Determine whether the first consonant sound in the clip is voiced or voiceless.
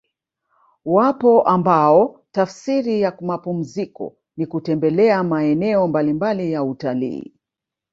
voiced